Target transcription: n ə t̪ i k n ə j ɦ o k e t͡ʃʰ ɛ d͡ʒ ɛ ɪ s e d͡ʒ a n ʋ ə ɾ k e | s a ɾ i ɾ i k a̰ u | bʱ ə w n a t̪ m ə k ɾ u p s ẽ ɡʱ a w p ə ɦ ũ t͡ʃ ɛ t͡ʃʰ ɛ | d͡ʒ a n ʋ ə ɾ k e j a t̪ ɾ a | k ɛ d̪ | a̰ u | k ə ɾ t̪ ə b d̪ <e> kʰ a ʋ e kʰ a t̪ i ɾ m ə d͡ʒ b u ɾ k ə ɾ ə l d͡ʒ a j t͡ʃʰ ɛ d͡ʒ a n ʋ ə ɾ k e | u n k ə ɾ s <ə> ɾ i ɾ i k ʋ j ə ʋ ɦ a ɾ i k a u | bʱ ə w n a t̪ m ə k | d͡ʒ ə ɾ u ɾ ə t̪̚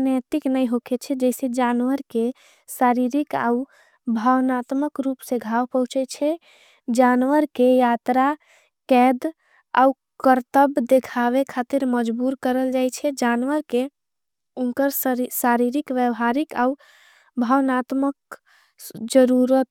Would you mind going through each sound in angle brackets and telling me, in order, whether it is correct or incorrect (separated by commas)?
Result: correct, incorrect